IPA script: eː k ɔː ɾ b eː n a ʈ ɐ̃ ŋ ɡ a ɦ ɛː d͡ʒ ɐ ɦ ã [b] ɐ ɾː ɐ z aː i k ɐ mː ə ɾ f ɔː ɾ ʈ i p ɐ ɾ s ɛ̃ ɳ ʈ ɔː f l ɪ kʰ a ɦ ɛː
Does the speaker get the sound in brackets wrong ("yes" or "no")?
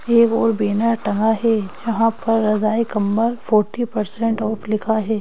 yes